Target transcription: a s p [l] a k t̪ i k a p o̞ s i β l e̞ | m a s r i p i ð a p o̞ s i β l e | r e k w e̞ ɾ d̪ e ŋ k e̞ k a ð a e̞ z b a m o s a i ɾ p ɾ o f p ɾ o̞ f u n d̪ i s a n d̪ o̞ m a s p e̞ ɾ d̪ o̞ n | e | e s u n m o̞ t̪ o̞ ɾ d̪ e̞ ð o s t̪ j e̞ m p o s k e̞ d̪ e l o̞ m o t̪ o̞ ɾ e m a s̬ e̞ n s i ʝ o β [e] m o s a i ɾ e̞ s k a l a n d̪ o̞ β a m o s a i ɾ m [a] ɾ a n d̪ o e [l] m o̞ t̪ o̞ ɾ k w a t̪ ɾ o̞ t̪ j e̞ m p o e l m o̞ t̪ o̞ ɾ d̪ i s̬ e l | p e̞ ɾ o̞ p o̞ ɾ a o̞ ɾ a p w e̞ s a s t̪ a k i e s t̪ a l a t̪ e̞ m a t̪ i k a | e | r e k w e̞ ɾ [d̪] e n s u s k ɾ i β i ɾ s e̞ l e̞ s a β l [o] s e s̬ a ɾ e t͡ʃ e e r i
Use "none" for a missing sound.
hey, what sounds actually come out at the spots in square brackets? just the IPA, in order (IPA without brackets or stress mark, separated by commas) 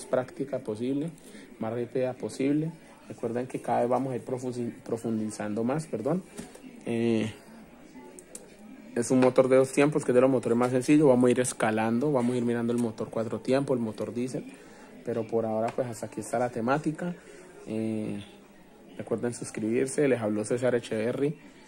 ɾ, a, i, l, d̪, o